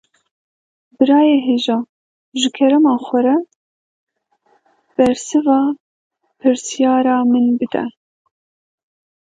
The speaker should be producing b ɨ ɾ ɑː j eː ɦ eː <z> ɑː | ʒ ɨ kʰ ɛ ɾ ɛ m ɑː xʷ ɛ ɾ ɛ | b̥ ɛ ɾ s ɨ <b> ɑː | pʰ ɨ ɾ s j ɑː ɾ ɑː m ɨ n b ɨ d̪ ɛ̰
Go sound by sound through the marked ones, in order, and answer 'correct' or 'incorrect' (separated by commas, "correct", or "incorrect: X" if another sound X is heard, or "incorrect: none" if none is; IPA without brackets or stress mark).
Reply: incorrect: ʒ, incorrect: v